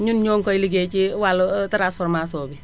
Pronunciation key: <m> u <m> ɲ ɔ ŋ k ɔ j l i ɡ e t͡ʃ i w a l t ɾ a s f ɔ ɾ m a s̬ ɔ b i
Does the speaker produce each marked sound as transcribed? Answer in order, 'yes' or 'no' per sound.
no, no

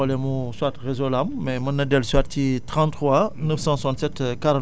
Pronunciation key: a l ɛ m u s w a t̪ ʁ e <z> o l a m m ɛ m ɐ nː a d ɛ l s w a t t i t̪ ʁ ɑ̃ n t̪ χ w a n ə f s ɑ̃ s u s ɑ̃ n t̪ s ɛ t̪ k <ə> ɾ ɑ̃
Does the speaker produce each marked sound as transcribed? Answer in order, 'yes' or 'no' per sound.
yes, no

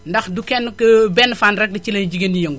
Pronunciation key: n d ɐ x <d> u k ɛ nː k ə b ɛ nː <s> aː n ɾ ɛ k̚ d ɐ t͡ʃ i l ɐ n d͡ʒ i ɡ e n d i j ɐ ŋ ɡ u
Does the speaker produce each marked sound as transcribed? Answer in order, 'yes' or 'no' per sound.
yes, no

